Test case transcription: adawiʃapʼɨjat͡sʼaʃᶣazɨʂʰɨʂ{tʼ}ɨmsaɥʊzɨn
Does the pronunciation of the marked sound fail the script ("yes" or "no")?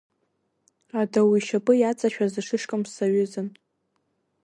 yes